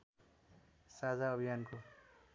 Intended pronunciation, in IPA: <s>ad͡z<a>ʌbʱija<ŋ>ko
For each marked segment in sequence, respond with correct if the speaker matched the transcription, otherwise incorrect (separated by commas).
correct, correct, incorrect